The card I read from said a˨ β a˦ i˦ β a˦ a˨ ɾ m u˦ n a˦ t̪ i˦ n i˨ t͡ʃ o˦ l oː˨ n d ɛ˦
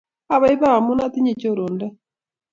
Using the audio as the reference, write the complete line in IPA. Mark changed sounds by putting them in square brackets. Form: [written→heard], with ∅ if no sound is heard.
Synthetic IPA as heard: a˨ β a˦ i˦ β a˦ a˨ [ɾ→∅] m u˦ n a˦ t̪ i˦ [n→ɲ] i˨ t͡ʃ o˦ [l→ɾ] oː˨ n d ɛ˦